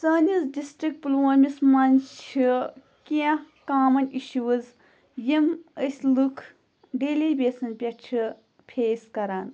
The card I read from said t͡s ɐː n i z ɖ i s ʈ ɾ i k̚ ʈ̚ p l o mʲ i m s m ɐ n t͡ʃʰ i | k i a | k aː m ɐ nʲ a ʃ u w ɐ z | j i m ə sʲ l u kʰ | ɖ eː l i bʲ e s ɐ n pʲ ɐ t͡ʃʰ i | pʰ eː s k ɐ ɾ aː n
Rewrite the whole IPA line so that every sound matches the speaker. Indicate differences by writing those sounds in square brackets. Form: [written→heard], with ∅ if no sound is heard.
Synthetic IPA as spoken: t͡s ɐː n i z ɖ i s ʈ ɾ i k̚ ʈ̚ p l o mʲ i [m→∅] s m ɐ n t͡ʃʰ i | k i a | k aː m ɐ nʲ [a→i] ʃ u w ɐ z | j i m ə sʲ l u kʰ | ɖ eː l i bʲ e s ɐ n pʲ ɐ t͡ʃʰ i | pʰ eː s k ɐ ɾ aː n